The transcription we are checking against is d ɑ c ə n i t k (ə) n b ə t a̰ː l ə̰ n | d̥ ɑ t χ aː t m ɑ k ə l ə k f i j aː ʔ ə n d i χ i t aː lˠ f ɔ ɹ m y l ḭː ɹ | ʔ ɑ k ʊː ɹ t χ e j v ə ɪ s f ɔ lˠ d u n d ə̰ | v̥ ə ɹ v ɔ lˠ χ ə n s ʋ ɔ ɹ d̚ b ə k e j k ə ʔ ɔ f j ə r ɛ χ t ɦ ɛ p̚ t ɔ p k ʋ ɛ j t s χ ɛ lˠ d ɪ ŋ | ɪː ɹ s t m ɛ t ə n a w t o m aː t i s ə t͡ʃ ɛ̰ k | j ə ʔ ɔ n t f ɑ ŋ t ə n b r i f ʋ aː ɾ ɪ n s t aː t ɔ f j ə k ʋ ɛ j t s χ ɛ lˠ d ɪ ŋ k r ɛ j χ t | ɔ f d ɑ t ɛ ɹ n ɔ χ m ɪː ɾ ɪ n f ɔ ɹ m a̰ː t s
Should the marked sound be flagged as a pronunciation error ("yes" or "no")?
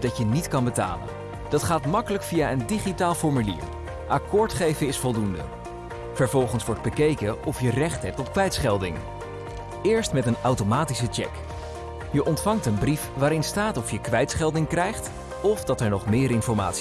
yes